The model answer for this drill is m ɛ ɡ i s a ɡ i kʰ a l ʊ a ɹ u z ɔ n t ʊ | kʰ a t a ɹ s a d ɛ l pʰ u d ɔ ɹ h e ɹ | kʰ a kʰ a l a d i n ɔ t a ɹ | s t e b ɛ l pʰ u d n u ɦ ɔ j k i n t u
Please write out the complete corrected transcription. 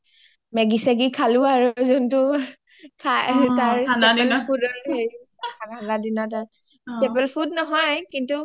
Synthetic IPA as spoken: m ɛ ɡ i s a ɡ i kʰ a l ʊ a ɹ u z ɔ n t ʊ | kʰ a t a ɹ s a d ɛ l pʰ u d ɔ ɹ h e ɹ | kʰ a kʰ a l a d i n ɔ t a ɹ | s t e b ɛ l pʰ u d n ɔ ɦ ɔ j k i n t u

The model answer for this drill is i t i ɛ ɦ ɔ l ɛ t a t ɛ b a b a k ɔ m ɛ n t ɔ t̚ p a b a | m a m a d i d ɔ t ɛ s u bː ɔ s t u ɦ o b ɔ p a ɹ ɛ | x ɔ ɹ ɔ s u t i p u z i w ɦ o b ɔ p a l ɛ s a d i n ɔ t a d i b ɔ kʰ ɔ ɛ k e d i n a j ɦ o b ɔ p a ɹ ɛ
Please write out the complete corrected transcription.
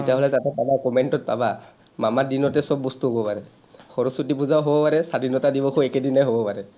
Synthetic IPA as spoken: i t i a ɦ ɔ l ɛ t a t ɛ p a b a k ɔ m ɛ n t ɔ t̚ p a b a | m a m a d i n ɔ t ɛ s ɔ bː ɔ s t u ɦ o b ɔ p a ɹ ɛ | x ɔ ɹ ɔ s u t i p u z a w ɦ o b ɔ p a ɹ ɛ s a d i n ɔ t a d i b ɔ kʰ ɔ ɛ k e d i n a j ɦ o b ɔ p a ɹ ɛ

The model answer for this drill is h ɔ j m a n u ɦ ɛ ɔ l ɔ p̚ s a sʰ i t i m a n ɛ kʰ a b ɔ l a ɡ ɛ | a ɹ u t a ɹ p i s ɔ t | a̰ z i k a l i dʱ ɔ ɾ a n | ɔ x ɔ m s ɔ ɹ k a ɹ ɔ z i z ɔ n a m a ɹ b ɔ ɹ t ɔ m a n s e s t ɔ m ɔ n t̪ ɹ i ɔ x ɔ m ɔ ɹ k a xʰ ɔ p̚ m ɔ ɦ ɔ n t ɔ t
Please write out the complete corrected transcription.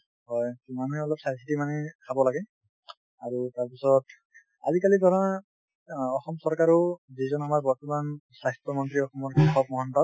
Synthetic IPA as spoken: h ɔ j m a n u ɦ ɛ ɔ l ɔ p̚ s a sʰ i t i m a n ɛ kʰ a b ɔ l a ɡ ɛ | a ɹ u t a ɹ p i s ɔ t | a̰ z i k a l i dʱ ɔ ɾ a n | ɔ x ɔ m s ɔ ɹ k a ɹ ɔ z i z ɔ n a m a ɹ b ɔ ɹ t ɔ m a n s a s t ɔ m ɔ n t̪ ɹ i ɔ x ɔ m ɔ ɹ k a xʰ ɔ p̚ m ɔ ɦ ɔ n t ɔ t

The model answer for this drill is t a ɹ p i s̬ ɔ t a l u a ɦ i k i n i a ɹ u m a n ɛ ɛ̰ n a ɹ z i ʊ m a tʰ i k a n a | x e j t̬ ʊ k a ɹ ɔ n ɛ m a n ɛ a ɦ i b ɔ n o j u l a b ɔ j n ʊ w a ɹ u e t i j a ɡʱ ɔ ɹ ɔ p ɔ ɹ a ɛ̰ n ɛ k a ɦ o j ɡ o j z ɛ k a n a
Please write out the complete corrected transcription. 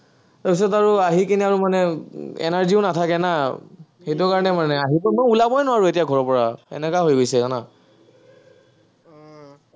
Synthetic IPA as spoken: t a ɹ p i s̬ ɔ t a ɹ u a ɦ i k i n i a ɹ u m a n ɛ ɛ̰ n a ɹ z i ʊ n a tʰ a k ɛ n a | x e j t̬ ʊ k a ɹ ɔ n ɛ m a n ɛ a ɦ i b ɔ m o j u l a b ɔ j n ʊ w a ɹ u e t i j a ɡʱ ɔ ɹ ɔ p ɔ ɹ a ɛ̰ n ɛ k a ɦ o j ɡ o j s ɛ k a n a

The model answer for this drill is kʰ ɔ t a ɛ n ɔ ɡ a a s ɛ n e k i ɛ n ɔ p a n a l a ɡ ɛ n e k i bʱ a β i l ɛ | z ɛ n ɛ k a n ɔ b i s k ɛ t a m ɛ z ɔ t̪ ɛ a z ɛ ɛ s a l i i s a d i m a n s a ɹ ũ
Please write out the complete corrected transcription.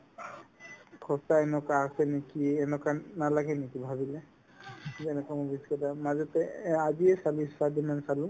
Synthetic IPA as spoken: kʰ ɔ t a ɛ n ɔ k a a s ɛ n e k i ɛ n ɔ k a n a l a ɡ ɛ n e k i bʱ a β i l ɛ | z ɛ n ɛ k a m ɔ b i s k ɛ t a m a z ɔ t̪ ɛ a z i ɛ s a l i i s a d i m a n s a l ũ

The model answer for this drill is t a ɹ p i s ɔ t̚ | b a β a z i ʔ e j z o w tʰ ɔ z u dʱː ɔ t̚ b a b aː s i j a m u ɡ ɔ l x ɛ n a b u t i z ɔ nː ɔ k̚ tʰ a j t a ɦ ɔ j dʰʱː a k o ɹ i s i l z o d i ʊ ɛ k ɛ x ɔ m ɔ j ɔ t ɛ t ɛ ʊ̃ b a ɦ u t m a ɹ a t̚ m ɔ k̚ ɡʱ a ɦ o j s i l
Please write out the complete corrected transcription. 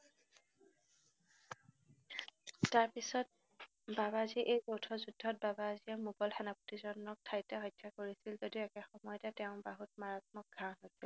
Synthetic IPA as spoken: t a ɹ p i s ɔ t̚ | b a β a z i ʔ e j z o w tʰ ɔ z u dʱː ɔ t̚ b a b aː z i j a m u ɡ ɔ l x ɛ n a p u t i z ɔ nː ɔ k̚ tʰ a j t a ɦ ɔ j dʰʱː a k o ɹ i s i l z o d i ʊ ɛ k ɛ x ɔ m ɔ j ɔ t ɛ t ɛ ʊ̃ b a ɦ u t m a ɹ a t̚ m ɔ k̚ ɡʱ a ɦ o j s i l

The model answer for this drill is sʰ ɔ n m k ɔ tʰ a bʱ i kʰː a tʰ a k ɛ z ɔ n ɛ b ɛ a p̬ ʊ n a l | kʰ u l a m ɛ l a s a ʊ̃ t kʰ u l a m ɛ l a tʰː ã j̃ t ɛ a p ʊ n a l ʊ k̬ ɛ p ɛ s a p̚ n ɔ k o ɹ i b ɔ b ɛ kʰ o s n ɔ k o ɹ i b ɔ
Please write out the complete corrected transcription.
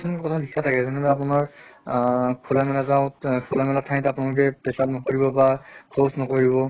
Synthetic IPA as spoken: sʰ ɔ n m k ɔ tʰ a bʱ i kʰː a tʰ a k ɛ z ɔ n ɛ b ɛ a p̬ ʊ n a ɹ | kʰ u l a m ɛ l a z a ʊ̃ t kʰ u l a m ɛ l a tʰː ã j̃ t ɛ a p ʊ n a l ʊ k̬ ɛ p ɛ s a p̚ n ɔ k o ɹ i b ɔ b a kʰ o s n ɔ k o ɹ i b ɔ

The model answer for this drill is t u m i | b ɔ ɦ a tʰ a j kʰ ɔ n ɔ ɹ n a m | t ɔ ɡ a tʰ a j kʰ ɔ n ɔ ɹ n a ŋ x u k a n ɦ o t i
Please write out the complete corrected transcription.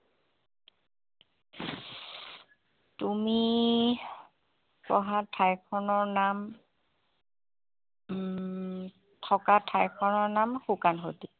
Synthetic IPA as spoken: t u m i | p ɔ ɦ a tʰ a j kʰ ɔ n ɔ ɹ n a m | tʰ ɔ k a tʰ a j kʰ ɔ n ɔ ɹ n a m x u k a n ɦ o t i

